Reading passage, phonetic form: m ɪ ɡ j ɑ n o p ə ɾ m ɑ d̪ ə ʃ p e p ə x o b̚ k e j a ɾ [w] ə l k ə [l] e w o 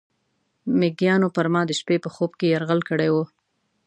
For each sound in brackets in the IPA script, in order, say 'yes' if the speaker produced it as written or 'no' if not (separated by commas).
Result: no, no